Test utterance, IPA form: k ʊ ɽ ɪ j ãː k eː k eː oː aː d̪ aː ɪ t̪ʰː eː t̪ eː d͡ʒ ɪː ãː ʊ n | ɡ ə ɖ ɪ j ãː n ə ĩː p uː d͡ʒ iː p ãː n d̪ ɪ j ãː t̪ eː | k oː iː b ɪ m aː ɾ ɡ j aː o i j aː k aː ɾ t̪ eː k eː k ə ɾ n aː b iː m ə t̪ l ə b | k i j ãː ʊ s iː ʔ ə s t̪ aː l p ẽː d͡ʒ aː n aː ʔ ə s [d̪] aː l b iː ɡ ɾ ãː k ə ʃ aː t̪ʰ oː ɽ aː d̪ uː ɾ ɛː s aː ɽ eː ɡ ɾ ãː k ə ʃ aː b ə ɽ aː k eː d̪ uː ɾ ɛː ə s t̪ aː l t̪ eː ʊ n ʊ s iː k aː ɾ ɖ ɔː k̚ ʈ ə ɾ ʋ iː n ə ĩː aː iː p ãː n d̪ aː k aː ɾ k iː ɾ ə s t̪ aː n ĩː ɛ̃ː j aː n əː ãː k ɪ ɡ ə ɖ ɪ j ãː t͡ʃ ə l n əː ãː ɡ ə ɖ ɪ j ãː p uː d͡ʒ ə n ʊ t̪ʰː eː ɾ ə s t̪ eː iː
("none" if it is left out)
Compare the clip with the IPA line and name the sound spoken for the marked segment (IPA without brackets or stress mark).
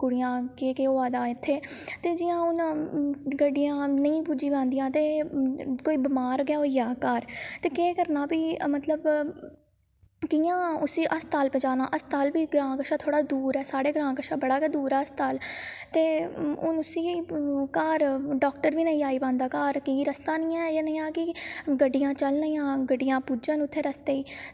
t̪